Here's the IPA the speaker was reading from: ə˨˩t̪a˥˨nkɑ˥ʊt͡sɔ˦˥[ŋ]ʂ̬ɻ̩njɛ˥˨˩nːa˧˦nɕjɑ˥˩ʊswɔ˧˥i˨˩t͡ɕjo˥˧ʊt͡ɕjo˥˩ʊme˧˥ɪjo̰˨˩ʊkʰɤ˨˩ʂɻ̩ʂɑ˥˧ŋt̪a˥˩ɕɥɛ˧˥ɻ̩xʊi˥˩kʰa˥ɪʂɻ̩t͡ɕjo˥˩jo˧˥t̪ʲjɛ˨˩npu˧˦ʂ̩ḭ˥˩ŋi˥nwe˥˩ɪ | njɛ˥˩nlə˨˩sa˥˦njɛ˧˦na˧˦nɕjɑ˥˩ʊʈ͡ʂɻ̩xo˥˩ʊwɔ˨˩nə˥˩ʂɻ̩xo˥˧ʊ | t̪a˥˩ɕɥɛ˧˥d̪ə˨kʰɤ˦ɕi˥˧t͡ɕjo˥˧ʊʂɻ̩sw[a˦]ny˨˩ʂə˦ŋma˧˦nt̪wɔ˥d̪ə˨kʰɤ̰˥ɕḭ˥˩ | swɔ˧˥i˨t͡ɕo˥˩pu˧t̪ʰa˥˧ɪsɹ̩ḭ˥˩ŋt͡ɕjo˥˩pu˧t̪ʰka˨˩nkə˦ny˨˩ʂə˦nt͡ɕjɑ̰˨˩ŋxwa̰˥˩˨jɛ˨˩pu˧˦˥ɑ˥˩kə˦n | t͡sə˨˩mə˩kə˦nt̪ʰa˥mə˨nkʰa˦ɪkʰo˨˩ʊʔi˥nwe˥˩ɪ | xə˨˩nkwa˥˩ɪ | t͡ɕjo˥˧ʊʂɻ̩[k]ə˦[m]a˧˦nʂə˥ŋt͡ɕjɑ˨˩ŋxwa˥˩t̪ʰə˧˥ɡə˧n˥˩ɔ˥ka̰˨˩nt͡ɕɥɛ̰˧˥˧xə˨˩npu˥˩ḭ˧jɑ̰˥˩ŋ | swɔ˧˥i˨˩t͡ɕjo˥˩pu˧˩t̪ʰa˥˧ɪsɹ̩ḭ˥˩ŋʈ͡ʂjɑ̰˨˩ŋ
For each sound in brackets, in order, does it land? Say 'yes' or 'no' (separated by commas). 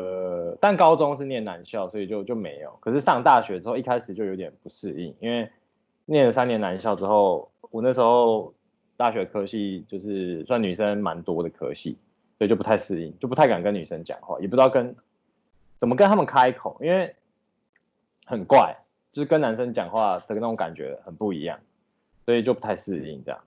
yes, no, yes, no